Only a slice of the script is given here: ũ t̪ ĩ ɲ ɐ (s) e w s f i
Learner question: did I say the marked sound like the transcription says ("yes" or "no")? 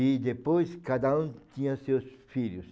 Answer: yes